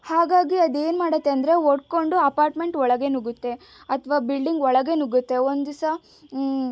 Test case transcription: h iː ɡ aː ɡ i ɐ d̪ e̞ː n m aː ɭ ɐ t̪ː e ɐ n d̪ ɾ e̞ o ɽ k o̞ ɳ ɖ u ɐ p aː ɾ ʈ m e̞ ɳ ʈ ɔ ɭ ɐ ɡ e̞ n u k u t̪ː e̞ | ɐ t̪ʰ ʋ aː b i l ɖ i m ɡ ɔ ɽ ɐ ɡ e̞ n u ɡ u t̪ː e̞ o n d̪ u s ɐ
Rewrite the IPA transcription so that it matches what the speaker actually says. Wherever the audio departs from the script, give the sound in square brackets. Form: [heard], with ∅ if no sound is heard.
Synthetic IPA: h [aː] ɡ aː ɡ i ɐ d̪ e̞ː n m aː [ɽ] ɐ t̪ː e ɐ n d̪ ɾ e̞ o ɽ k o̞ ɳ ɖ u ɐ p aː ɾ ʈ m e̞ ɳ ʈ ɔ ɭ ɐ ɡ e̞ n u [ɡ] u t̪ː e̞ | ɐ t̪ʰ ʋ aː b i l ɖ i [ŋ] ɡ ɔ [ɭ] ɐ ɡ e̞ n u ɡ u t̪ː e̞ o n d̪ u s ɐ